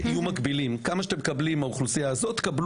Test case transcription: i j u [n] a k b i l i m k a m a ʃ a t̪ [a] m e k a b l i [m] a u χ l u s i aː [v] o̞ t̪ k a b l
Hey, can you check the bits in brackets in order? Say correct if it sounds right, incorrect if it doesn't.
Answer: incorrect: m, incorrect: e, correct, incorrect: z

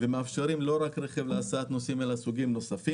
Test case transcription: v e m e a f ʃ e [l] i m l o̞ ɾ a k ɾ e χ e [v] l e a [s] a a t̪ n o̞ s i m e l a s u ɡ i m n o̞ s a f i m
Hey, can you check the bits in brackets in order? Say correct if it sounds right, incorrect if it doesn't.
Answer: incorrect: ɾ, correct, correct

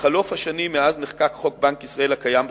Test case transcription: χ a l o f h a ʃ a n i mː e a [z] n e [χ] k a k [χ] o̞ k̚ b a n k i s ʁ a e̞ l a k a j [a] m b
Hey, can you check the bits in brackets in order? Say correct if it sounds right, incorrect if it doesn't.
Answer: correct, correct, correct, correct

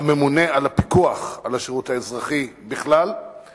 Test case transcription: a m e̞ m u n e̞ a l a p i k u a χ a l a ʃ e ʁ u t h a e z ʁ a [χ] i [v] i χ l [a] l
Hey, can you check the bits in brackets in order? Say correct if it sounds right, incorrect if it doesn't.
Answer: correct, incorrect: b, correct

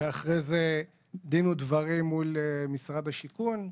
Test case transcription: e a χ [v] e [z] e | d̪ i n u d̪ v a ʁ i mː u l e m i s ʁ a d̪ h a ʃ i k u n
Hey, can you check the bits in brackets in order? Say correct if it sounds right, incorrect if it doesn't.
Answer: incorrect: ʁ, correct

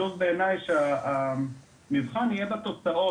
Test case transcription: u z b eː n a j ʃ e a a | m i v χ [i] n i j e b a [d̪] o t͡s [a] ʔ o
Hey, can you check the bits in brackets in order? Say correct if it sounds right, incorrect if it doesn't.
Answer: incorrect: a, incorrect: t̪, correct

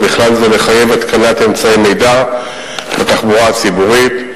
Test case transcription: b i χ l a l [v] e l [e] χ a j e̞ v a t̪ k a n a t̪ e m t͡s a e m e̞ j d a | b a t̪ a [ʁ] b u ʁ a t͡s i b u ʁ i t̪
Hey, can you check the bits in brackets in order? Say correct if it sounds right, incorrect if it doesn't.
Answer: incorrect: z, correct, incorrect: χ

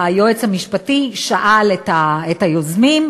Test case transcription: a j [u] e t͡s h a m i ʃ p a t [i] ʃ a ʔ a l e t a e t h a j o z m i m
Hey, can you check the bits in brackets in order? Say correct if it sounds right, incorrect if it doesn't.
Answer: incorrect: o, correct

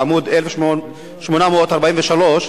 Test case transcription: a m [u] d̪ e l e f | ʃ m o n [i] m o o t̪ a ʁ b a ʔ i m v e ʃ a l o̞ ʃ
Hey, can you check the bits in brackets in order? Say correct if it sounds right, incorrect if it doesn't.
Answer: correct, incorrect: a

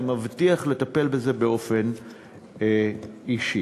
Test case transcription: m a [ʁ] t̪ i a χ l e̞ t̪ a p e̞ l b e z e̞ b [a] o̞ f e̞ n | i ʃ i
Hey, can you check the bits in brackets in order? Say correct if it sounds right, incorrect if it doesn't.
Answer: incorrect: v, incorrect: e

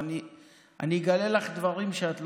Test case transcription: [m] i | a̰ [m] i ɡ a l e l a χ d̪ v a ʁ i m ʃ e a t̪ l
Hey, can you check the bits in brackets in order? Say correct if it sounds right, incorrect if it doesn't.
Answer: incorrect: n, incorrect: n

